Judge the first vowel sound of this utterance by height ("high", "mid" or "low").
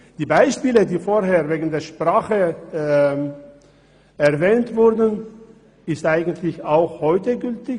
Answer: high